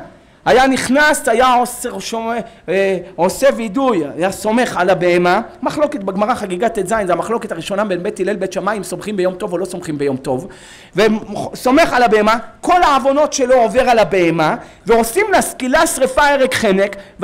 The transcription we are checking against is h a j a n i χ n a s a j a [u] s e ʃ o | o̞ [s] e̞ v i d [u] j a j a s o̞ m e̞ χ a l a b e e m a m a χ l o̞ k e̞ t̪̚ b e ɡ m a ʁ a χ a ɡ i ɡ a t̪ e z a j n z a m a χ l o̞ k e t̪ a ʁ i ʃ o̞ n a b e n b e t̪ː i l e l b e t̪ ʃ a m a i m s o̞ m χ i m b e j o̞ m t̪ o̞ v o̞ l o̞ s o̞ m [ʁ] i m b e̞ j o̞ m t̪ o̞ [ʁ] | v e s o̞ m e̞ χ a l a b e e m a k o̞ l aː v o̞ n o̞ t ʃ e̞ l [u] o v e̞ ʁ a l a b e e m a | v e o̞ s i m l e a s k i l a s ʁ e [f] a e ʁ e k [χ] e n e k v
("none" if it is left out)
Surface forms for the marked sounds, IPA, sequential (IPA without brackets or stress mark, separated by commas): o, s, u, χ, v, o, f, χ